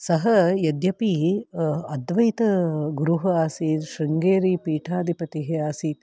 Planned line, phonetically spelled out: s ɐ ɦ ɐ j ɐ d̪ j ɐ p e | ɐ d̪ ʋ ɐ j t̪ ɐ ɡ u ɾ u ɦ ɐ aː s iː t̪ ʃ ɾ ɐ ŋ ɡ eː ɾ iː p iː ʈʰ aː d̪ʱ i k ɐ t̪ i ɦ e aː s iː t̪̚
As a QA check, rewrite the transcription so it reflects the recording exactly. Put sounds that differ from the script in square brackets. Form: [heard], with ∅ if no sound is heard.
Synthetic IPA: s ɐ ɦ ɐ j ɐ d̪ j ɐ p [i] | ɐ d̪ ʋ ɐ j t̪ ɐ ɡ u ɾ u ɦ ɐ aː s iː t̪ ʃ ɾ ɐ ŋ ɡ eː ɾ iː p iː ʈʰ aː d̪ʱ i [p] ɐ t̪ i ɦ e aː s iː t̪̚